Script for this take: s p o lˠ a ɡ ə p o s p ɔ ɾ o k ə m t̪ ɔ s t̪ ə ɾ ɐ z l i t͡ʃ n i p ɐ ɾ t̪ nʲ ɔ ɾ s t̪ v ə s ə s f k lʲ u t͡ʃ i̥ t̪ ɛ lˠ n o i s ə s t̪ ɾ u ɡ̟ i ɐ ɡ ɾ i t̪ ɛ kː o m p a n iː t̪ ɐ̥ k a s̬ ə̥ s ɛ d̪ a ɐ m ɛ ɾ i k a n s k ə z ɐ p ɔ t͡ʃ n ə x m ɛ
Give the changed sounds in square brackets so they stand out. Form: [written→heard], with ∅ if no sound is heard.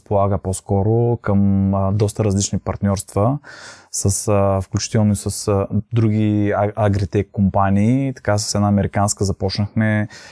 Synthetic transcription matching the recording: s p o lˠ a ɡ ə p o s [p→k] ɔ ɾ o k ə m [t̪→d̪] ɔ s t̪ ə ɾ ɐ z l i t͡ʃ n i p ɐ ɾ t̪ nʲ ɔ ɾ s t̪ v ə s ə s f k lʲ u t͡ʃ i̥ t̪ ɛ lˠ n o i s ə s [t̪→d̪] ɾ u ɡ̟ i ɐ ɡ ɾ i t̪ ɛ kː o m p a n iː t̪ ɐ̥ k a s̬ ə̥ s ɛ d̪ a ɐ m ɛ ɾ i k a n s k ə z ɐ p ɔ t͡ʃ n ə x m ɛ